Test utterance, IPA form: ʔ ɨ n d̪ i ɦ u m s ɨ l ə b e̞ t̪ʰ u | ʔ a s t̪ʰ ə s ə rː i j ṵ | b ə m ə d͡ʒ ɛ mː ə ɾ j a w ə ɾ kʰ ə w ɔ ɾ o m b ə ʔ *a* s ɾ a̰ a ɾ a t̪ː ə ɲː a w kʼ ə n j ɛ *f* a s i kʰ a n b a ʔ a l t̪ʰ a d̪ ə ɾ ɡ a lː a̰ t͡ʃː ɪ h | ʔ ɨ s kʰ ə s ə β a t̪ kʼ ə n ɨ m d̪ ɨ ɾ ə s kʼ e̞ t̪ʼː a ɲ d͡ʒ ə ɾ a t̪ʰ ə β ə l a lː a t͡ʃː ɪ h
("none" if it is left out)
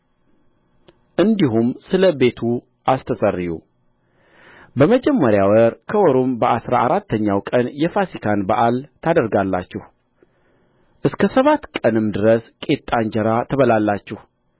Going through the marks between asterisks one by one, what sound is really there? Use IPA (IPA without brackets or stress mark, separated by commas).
a, f